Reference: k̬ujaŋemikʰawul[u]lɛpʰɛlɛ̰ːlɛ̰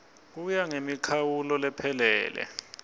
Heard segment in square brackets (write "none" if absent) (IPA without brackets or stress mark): ɔ